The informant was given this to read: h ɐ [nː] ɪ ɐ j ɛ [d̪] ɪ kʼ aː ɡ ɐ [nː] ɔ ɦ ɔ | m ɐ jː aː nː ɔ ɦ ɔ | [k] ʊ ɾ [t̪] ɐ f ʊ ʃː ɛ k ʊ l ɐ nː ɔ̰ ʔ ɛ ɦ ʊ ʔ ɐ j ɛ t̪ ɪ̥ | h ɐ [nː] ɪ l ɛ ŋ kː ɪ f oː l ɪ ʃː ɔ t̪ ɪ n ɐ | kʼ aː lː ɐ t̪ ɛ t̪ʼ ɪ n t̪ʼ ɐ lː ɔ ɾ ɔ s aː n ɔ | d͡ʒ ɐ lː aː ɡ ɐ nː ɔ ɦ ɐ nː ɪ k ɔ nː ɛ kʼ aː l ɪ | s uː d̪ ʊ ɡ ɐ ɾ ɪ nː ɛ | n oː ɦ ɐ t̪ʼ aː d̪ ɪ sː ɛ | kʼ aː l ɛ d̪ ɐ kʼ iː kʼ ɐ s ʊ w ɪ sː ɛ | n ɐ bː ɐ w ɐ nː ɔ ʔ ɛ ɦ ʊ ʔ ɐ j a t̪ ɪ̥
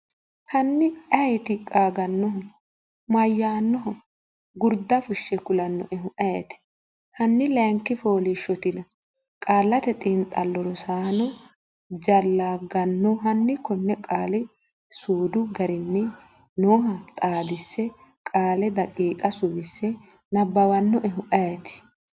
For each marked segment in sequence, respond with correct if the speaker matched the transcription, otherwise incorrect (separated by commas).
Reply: correct, incorrect, correct, incorrect, incorrect, correct